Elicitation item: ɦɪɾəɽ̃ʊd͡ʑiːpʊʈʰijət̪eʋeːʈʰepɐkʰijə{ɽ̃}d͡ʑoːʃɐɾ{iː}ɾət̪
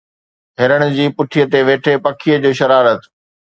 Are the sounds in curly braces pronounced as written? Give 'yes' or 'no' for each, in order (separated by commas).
no, no